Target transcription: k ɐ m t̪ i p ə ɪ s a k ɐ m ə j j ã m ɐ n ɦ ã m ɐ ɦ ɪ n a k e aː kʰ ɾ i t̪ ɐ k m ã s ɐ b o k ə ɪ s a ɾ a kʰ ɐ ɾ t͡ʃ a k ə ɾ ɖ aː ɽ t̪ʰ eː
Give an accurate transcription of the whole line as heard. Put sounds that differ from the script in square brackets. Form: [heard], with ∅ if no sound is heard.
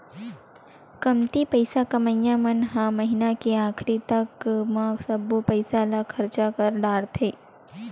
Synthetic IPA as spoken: k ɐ m t̪ i p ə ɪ s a k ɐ m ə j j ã m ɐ n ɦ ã m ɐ ɦ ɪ n a k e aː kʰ ɾ i t̪ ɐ k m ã s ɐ b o [p] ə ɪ s a [l] a kʰ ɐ ɾ t͡ʃ a k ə ɾ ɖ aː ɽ t̪ʰ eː